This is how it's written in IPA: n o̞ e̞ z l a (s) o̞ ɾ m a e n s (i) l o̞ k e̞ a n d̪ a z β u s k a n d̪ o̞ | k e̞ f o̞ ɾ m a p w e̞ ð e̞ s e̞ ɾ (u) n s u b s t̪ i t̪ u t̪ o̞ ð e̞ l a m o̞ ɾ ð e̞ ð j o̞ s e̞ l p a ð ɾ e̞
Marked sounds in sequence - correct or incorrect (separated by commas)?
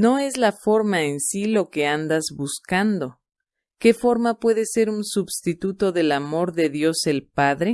incorrect, correct, correct